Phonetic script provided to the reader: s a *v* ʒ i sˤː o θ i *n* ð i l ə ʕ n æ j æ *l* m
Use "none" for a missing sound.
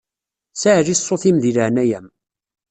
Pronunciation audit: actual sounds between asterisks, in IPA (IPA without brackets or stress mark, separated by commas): ʕ, m, none